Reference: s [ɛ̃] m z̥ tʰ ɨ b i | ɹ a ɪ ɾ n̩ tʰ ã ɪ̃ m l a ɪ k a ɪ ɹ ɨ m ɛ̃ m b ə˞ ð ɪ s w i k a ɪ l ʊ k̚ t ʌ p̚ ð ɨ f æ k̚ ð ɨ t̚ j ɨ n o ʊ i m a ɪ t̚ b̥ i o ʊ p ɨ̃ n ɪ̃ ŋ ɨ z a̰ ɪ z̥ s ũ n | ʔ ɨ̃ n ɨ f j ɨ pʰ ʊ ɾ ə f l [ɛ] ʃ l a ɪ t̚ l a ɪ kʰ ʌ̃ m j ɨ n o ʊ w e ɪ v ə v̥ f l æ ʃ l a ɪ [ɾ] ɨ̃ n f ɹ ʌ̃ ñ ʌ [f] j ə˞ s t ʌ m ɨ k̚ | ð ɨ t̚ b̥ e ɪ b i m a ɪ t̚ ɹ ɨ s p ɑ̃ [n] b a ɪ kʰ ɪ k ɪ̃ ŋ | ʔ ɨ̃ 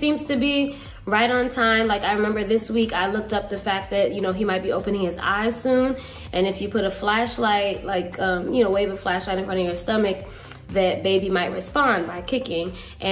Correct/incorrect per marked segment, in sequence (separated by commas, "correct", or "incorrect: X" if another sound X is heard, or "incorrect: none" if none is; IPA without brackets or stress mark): incorrect: ĩ, incorrect: æ, correct, incorrect: v, correct